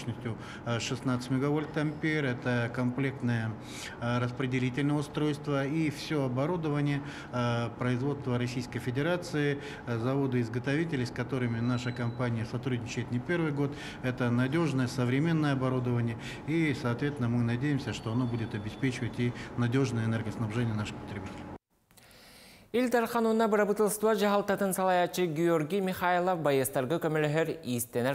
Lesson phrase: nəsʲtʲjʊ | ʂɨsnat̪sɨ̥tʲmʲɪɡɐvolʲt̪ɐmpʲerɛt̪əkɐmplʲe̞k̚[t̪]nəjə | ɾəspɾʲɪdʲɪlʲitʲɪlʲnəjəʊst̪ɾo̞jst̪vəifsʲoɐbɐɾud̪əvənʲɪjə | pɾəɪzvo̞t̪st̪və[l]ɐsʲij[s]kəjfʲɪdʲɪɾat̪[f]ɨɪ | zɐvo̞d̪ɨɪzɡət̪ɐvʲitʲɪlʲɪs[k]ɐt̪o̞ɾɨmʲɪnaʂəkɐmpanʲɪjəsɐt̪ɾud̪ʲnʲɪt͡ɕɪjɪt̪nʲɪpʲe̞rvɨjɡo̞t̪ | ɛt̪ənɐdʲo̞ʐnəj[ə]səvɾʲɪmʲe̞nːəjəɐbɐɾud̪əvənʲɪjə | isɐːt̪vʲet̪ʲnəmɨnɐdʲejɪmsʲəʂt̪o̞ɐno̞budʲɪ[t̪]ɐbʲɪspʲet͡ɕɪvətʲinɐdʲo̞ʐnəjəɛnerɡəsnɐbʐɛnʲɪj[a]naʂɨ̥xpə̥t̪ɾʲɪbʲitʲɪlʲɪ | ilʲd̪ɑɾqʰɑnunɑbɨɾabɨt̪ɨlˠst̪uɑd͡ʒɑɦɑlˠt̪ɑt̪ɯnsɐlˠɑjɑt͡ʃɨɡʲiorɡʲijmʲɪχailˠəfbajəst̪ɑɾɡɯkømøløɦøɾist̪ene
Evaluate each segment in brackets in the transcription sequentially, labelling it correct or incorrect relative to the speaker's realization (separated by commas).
correct, incorrect, correct, incorrect, correct, correct, correct, incorrect